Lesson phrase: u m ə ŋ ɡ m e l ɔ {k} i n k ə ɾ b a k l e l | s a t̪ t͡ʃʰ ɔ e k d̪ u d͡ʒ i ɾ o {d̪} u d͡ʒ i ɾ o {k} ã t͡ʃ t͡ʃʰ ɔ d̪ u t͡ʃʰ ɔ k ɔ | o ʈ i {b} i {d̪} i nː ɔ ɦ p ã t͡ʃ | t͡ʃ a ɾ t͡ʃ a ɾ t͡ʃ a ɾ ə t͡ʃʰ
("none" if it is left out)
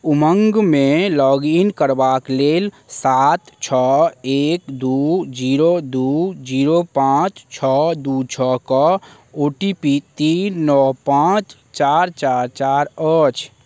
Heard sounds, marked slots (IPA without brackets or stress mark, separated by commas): ɡ, d̪, p, p, t̪